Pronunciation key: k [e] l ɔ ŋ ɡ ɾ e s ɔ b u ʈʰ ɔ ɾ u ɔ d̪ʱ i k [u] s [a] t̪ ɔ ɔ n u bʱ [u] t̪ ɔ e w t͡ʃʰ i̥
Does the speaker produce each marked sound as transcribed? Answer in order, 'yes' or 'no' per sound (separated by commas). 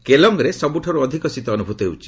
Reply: yes, no, no, yes